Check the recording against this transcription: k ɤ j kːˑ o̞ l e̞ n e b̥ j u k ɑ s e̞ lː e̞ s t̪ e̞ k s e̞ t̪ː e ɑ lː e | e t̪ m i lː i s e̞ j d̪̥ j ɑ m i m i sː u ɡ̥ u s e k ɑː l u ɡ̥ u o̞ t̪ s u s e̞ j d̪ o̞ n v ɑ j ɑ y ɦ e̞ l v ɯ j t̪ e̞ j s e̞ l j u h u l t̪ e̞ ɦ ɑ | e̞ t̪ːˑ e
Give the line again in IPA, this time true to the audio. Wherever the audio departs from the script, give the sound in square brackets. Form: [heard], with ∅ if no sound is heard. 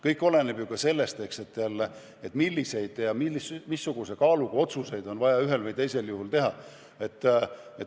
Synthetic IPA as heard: k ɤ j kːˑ o̞ l e̞ n e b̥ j u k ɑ s e̞ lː e̞ s t̪ e̞ k s e̞ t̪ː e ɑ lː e | e t̪ m i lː i s e̞ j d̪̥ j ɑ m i m i sː u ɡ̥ u s e k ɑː l u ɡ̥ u o̞ t̪ s u s e̞ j d̪ o̞ n v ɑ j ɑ y ɦ e̞ l v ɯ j t̪ e̞ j s e̞ l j u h u l t̪ e̞ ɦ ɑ | e̞ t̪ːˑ e